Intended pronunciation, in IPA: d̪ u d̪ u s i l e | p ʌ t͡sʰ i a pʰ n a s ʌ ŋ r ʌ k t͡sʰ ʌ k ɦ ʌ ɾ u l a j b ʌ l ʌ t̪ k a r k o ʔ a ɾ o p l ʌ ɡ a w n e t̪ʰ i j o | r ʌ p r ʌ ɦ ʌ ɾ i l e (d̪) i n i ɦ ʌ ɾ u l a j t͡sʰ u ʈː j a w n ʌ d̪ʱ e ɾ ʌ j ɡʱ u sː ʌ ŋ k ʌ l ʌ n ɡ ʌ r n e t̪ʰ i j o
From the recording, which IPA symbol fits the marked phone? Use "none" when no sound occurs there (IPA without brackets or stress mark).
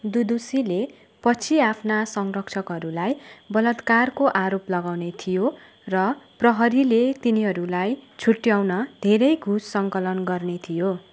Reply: t̪